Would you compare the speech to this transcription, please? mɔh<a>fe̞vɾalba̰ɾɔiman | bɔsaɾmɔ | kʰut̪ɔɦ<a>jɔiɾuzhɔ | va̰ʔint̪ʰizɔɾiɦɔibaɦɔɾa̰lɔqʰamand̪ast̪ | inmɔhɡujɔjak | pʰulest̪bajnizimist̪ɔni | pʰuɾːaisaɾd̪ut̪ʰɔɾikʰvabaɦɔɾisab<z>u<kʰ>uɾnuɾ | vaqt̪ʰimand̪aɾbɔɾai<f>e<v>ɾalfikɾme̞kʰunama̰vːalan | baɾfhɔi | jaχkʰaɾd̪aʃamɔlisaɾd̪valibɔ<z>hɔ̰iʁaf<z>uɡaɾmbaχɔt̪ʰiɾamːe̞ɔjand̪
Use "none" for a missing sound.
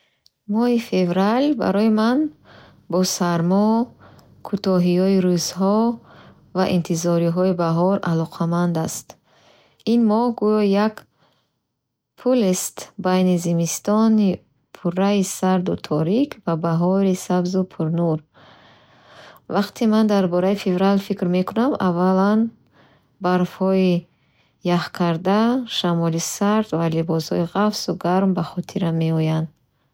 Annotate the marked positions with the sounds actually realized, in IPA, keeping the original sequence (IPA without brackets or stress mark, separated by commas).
i, i, z, pʰ, f, v, s, s